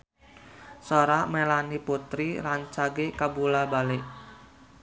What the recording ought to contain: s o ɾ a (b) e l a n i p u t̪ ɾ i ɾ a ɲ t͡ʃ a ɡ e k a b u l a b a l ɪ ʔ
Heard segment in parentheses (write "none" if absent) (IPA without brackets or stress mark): m